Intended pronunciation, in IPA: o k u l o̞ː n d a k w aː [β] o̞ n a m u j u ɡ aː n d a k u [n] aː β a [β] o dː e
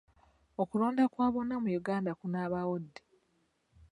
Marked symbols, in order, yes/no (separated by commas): yes, yes, no